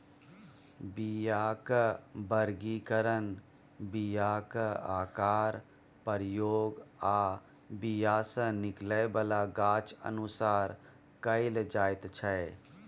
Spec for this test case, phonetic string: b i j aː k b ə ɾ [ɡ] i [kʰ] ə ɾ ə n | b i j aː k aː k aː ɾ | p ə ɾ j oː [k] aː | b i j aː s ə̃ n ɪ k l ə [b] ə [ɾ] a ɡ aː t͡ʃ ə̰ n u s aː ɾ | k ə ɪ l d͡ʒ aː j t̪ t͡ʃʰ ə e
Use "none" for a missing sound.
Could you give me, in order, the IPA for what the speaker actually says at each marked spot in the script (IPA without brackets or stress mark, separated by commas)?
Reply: ɡ, k, ɡ, b, l